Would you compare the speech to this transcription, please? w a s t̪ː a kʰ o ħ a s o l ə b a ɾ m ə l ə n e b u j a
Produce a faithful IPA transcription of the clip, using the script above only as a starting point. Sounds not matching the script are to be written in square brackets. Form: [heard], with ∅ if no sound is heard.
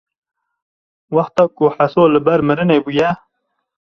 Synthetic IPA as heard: w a [x] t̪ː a [k] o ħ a s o l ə b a ɾ m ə [ɾ] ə n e b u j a